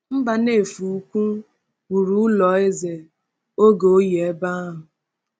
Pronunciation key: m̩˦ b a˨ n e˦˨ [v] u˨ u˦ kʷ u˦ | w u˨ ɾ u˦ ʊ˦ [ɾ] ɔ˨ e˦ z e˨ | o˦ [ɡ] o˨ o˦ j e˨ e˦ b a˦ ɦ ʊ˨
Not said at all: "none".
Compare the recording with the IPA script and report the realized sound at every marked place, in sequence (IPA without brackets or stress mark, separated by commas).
f, l, ɡ